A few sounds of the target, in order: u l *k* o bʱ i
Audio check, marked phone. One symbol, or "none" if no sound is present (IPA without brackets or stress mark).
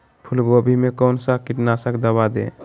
ɡ